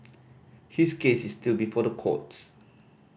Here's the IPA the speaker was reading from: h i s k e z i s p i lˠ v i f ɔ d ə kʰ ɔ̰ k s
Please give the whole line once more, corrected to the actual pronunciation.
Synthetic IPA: h i s k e s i s t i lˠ b i f ɔ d ə kʰ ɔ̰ t s